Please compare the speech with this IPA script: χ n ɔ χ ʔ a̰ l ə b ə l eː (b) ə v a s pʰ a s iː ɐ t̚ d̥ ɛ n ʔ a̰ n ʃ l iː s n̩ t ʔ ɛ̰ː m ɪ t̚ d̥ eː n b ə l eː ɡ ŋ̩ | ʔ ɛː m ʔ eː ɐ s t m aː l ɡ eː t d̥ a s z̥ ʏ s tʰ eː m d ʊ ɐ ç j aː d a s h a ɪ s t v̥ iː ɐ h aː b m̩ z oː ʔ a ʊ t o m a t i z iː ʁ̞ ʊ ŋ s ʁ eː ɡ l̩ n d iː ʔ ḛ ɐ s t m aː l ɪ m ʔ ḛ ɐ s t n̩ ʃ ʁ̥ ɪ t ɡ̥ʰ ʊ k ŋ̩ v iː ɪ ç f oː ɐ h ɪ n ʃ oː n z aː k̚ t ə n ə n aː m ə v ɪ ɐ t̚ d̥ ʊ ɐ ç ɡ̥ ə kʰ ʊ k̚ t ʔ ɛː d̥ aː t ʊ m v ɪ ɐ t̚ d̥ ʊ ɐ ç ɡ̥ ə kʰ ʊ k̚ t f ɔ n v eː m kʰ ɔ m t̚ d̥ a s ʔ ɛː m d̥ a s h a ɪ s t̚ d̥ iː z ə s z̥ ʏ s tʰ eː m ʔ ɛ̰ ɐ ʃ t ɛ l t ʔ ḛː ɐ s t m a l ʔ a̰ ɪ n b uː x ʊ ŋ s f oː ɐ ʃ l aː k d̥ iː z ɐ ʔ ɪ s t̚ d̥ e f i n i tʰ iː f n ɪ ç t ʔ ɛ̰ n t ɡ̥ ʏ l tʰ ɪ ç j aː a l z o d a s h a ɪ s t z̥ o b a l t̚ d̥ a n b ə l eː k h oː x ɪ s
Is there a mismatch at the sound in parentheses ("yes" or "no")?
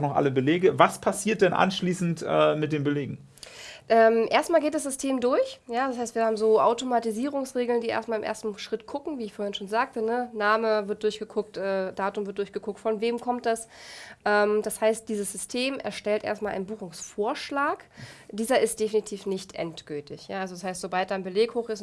yes